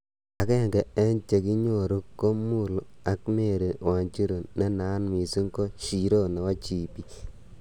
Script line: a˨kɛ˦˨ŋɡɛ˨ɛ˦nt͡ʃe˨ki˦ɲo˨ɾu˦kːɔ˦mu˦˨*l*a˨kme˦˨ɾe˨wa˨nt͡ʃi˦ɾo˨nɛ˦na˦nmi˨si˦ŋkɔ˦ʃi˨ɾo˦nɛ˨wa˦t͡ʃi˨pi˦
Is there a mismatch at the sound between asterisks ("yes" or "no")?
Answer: no